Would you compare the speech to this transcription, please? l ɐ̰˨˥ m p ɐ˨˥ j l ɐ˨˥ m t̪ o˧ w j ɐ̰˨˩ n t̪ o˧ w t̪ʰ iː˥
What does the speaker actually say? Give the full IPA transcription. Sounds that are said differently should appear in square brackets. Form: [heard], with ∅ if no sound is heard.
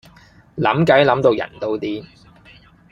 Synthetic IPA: l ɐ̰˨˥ m [k] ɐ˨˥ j l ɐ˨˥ m t̪ o˧ w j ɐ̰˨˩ n t̪ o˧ w [t̪] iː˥